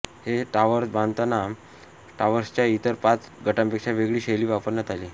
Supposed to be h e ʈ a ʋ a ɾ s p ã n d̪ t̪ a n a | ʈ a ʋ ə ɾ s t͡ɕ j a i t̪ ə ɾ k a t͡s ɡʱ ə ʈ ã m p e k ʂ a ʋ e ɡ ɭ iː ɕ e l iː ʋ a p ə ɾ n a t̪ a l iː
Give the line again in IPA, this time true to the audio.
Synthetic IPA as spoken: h e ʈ a ʋ ə ɾ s b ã n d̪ t̪ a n a | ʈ a ʋ ə ɾ s t͡ɕ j a i t̪ ə ɾ p a t͡s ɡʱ ə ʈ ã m p e k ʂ a ʋ e ɡ ɭ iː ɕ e l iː ʋ a p ə ɾ n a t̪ a l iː